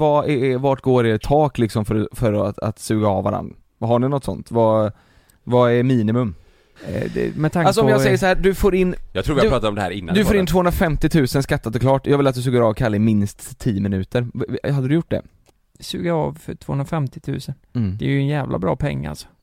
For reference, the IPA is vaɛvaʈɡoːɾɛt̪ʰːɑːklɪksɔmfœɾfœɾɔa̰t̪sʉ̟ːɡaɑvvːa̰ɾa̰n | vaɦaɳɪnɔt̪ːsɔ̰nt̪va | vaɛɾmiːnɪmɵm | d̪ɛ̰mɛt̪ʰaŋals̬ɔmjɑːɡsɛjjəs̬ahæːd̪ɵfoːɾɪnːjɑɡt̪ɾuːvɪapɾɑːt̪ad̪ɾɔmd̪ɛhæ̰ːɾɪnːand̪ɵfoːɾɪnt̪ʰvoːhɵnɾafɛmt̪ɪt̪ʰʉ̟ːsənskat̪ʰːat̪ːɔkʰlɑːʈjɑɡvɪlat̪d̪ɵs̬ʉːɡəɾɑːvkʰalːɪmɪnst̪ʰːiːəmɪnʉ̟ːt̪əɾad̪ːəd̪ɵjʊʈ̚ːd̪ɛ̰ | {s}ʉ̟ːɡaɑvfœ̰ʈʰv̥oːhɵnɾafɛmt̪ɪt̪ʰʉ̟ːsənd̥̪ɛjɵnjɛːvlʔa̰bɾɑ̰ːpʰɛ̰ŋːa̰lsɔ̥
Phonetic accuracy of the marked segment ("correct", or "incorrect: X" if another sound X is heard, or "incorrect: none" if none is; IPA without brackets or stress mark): correct